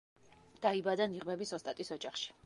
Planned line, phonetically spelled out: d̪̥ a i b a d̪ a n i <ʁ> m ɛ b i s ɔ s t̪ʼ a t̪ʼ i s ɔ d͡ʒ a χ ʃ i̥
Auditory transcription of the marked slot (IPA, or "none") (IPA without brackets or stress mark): ʁ